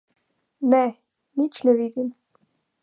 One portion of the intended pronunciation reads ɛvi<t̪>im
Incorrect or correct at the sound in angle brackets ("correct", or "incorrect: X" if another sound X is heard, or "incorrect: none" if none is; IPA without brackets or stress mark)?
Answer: incorrect: d̪